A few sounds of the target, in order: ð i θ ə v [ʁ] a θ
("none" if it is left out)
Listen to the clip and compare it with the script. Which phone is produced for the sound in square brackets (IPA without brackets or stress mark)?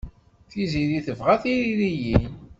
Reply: ʁ